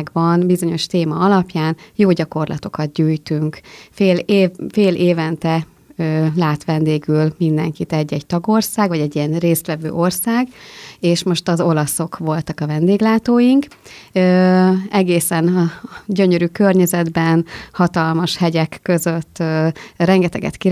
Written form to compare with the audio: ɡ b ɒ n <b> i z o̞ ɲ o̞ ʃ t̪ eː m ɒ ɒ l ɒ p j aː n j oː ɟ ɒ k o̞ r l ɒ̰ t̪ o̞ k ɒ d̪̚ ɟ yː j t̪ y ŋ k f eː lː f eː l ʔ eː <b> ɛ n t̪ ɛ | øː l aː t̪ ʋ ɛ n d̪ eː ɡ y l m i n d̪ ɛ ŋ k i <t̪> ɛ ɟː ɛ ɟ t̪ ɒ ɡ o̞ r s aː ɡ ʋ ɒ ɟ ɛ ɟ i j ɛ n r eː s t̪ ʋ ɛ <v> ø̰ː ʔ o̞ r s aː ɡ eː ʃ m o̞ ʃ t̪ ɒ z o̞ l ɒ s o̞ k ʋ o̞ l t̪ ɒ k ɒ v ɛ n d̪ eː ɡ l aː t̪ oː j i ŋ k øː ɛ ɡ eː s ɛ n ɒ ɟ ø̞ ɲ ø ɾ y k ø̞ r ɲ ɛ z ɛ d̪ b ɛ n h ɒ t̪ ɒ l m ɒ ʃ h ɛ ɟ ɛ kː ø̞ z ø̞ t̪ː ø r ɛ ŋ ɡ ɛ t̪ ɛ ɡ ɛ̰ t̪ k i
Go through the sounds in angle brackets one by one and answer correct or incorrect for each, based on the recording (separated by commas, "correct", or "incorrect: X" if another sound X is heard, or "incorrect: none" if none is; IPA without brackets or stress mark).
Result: correct, incorrect: v, correct, correct